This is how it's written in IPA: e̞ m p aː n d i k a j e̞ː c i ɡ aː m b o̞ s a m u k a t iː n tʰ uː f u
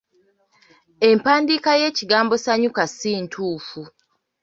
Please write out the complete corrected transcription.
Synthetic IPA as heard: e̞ m p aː n d i k a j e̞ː c i ɡ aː m b o̞ s a ɲ u k a s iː n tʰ uː f u